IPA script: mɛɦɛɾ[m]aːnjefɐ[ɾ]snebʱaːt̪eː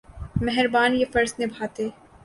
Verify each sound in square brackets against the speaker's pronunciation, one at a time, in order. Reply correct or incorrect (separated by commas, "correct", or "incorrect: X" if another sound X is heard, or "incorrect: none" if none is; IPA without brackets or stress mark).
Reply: incorrect: b, correct